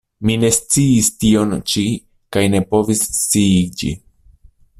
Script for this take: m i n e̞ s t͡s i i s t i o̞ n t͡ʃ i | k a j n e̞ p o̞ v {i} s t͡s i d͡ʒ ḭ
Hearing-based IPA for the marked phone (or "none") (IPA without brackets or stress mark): i